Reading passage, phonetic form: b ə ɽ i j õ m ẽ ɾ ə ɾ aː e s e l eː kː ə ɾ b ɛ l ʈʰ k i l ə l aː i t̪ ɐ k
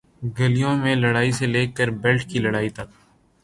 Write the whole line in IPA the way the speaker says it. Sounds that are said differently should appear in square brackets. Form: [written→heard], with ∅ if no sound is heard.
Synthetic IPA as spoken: [b→ɡ] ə [ɽ→l] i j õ m ẽ [ɾ→l] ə [ɾ→ɽ] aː [e→i] s e l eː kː ə ɾ b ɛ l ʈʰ k i l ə [l→ɽ] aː i t̪ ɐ k